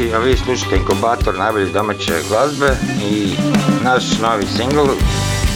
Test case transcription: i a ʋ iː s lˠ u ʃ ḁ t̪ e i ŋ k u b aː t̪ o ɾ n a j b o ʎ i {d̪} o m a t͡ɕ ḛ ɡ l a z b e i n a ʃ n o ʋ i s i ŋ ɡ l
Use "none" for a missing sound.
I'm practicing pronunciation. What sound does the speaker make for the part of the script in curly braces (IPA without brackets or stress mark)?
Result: d̪